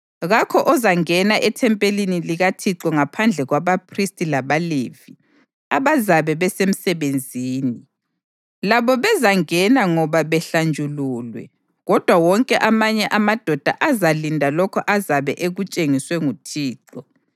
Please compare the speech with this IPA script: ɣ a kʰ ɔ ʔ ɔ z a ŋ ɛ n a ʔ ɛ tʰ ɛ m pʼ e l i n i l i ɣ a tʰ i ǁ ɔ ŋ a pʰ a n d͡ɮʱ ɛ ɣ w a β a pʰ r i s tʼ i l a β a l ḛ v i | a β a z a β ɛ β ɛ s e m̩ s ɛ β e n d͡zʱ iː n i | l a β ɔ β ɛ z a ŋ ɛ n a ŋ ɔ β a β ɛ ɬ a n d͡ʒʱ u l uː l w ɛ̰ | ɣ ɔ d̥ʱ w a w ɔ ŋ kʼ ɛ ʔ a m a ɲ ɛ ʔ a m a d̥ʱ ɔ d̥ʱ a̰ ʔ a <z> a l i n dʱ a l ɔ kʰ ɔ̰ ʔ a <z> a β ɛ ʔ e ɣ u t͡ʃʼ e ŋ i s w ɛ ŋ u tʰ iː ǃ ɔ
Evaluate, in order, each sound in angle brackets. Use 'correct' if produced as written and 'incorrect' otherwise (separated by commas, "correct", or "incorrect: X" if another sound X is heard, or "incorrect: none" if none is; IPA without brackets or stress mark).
correct, correct